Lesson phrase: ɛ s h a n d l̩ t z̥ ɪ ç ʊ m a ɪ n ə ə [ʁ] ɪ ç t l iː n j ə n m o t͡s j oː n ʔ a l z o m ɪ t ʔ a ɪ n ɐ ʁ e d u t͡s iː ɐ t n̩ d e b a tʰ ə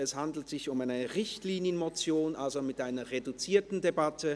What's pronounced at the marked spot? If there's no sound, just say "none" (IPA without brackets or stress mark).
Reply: ʁ